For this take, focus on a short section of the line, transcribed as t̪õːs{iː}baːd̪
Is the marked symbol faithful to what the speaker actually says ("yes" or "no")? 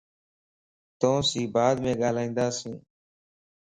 yes